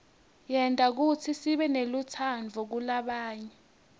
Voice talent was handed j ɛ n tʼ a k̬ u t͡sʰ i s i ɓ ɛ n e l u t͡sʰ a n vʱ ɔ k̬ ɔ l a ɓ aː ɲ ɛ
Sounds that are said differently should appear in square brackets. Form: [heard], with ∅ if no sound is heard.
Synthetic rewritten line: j ɛ n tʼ a k̬ u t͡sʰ i s i ɓ ɛ n e l u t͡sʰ a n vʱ ɔ k̬ [u] l a ɓ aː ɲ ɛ